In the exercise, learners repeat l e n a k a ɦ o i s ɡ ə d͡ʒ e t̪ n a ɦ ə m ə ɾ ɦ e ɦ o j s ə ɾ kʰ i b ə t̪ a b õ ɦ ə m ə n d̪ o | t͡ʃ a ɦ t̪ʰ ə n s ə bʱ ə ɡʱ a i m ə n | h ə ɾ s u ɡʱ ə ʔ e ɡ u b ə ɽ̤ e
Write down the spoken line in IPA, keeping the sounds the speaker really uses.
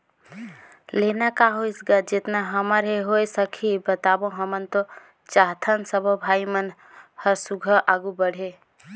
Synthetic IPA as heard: l e n a k a ɦ o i s ɡ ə d͡ʒ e t̪ n a ɦ ə m ə ɾ ɦ e ɦ o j s ə kʰ i b ə t̪ a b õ ɦ ə m ə n t̪ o | t͡ʃ a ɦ t̪ʰ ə n s ə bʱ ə bʱ a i m ə n | h ə ɾ s u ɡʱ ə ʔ a ɡ u b ə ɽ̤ e

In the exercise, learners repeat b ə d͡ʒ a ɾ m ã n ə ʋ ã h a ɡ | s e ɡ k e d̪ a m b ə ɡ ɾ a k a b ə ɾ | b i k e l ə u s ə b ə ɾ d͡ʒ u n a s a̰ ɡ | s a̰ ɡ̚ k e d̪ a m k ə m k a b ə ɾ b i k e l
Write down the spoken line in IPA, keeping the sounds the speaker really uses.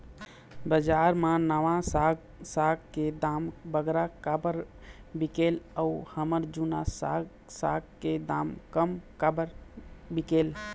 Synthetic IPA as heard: b ə d͡ʒ a ɾ m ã n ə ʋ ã s a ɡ | s a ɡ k e d̪ a m b ə ɡ ɾ a k a b ə ɾ | b i k e l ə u h ə m ə ɾ d͡ʒ u n a s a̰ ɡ | s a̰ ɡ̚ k e d̪ a m k ə m k a b ə ɾ b i k e l

